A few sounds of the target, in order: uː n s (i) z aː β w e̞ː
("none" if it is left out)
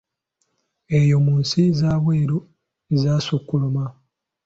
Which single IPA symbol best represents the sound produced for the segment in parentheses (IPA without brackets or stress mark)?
i